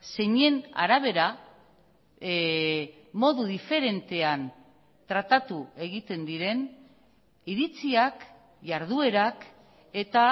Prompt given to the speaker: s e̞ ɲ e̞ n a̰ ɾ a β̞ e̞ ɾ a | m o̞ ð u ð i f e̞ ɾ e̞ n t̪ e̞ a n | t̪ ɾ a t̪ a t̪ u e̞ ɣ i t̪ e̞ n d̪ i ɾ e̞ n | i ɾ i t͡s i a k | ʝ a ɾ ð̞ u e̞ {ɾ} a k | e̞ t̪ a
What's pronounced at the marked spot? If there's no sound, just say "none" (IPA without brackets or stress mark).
ɾ